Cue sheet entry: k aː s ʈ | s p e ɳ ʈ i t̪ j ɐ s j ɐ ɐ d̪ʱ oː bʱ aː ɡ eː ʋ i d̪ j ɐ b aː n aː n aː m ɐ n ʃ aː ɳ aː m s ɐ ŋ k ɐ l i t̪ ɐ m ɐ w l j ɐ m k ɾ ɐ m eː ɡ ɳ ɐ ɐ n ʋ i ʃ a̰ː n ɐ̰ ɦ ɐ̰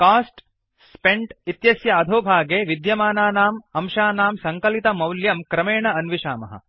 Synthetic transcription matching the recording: k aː s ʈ | s p e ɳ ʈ i t̪ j ɐ s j ɐ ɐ d̪ʱ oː bʱ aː ɡ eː ʋ i d̪ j ɐ m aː n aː n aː m ɐ m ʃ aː n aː m s ɐ ŋ k ɐ l i t̪ ɐ m ɐ w l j ɐ m k ɾ ɐ m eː ɳ ɐ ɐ n ʋ i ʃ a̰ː m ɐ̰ ɦ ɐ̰